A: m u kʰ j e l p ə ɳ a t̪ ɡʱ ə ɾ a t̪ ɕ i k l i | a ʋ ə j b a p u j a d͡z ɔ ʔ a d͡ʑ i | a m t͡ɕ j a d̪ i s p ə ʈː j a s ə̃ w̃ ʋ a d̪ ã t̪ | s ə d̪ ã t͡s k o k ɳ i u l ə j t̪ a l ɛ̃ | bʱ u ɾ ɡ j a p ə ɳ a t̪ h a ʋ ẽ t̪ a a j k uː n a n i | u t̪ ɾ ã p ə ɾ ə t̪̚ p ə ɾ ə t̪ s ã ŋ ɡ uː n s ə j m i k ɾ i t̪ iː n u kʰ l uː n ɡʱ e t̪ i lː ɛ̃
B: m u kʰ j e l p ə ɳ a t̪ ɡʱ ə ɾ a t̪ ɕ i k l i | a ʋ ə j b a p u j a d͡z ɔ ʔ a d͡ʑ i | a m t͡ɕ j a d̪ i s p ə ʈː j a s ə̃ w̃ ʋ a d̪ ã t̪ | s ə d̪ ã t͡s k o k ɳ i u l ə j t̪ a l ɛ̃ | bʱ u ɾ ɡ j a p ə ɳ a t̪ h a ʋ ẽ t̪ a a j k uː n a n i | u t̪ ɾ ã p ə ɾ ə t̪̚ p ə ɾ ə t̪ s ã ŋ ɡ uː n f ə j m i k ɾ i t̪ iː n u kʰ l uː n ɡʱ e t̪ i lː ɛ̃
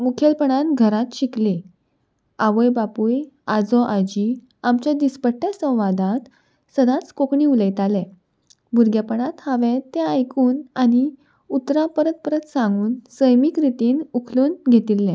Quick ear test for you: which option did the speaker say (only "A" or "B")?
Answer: A